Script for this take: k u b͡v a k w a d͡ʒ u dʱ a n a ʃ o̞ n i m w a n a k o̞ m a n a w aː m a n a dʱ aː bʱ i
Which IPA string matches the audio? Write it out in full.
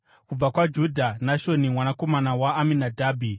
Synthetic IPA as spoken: k u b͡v a k w a d͡ʒ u dʱ a n a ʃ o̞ n i m w a n a k o̞ m a n a w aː m i n a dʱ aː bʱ i